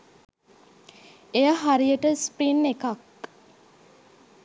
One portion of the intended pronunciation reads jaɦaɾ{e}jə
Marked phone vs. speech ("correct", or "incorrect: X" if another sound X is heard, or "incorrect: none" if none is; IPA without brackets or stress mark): incorrect: i